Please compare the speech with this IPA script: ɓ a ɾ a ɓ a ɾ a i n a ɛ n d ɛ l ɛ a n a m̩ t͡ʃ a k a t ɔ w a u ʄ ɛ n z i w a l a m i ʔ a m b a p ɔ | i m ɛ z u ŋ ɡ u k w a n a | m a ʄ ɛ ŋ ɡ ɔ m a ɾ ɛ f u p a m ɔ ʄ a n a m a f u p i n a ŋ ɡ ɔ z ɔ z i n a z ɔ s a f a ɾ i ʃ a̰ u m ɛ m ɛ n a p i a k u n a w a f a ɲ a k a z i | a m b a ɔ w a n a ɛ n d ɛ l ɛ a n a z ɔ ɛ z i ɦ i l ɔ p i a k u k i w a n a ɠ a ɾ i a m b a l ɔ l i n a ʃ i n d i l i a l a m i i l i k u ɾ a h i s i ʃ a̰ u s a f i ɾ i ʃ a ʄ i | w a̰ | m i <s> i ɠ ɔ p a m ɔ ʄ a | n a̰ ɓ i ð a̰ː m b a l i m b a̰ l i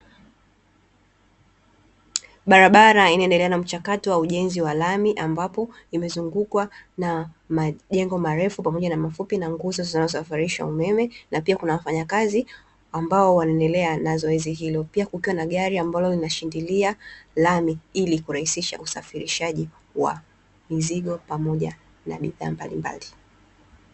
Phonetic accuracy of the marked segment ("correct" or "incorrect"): incorrect